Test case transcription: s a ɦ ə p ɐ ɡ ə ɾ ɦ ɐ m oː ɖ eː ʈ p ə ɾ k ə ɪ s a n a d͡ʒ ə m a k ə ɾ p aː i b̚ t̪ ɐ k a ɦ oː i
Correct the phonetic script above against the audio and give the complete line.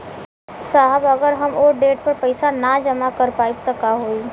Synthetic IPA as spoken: s a ɦ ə b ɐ ɡ ə ɾ ɦ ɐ m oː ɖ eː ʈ p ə ɾ p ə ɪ s a n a d͡ʒ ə m a k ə ɾ p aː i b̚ t̪ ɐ k a ɦ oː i